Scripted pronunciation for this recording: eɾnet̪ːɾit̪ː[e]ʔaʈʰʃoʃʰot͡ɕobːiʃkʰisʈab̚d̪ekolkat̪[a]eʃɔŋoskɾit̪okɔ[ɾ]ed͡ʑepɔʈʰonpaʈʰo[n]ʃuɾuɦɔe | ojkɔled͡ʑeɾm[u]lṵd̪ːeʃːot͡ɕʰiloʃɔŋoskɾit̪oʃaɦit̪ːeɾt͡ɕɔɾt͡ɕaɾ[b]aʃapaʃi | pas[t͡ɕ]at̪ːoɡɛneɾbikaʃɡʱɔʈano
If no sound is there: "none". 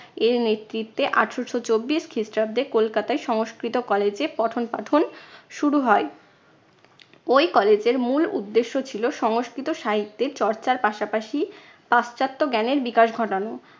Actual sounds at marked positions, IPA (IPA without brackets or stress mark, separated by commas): e, a, l, n, u, p, t͡ɕ